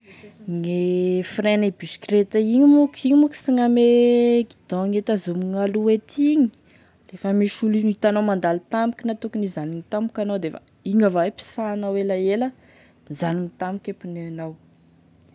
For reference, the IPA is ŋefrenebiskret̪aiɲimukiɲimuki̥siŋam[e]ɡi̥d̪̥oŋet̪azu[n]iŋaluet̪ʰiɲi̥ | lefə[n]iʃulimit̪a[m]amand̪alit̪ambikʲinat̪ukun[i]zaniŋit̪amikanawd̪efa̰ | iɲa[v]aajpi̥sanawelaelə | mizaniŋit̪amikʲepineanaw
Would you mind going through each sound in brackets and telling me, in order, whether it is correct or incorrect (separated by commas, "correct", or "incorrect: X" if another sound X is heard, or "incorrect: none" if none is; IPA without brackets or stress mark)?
correct, incorrect: m, incorrect: m, incorrect: n, correct, correct